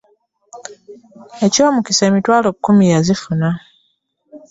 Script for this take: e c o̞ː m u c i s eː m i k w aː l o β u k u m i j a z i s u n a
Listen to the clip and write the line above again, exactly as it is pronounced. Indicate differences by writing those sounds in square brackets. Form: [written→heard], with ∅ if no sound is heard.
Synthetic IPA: e c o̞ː m u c i s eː m i [k→t] w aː l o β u k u m i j a z i [s→f] u n a